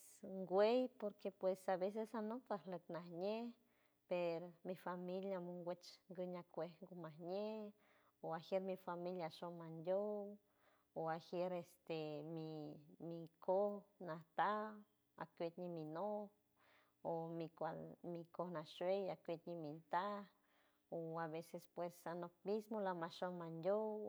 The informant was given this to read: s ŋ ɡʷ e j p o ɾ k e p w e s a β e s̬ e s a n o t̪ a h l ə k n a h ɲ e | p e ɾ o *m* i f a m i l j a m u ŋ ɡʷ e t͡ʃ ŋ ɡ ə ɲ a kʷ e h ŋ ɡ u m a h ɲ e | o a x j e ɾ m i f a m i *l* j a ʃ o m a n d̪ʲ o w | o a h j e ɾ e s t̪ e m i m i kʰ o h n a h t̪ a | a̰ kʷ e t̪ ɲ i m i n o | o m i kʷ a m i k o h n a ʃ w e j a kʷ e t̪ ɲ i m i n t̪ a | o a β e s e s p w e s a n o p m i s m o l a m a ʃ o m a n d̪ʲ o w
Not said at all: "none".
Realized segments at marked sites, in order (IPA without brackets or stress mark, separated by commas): m, l